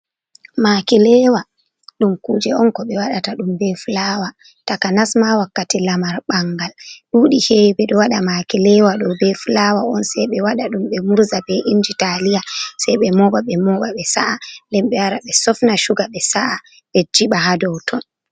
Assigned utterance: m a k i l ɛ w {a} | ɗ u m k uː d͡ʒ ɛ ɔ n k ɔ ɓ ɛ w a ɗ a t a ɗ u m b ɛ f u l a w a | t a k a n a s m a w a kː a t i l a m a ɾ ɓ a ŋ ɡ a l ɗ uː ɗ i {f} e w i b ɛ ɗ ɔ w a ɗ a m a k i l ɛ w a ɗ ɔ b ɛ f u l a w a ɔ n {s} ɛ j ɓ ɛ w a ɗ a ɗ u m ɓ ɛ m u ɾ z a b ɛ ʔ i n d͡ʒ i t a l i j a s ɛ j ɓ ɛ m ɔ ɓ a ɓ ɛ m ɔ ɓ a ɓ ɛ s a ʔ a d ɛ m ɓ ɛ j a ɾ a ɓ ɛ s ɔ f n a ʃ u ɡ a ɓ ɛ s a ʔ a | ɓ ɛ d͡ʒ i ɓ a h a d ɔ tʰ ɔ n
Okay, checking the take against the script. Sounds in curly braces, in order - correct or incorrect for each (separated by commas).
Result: correct, incorrect, correct